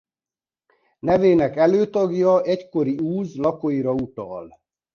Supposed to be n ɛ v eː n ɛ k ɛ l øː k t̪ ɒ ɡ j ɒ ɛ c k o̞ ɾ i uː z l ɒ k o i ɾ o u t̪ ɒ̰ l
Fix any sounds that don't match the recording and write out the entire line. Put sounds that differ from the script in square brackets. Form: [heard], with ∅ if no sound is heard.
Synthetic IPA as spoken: n ɛ v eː n ɛ k ɛ l øː [∅] t̪ ɒ ɡ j ɒ ɛ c k o̞ ɾ i uː z l ɒ k o i ɾ [ɒ] u t̪ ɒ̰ l